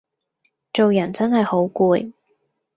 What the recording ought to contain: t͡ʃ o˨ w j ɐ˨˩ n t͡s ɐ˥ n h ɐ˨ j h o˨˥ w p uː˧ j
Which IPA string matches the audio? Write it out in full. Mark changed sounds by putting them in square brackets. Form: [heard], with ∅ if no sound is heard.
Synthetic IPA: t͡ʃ o˨ w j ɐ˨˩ n t͡s ɐ˥ n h ɐ˨ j h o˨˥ w [k] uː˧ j